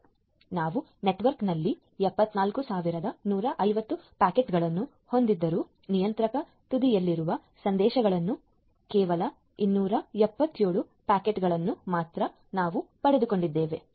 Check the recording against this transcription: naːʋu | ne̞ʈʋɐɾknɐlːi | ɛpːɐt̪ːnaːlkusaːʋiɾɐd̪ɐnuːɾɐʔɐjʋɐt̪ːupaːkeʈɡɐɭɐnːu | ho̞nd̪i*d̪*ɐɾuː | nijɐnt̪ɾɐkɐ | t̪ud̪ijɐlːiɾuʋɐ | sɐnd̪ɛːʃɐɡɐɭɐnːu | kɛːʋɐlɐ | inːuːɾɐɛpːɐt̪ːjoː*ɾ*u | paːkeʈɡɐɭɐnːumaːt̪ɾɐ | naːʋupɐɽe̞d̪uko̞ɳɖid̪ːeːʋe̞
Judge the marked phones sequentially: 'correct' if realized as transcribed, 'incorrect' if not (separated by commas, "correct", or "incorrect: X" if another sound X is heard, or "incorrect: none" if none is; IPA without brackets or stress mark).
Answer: incorrect: d̪ː, incorrect: ɭ